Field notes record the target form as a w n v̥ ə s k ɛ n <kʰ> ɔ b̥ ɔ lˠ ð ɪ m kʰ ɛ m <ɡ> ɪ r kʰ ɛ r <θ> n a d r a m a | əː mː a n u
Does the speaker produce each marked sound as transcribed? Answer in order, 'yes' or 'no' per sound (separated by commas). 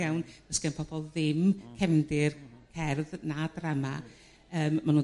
no, no, no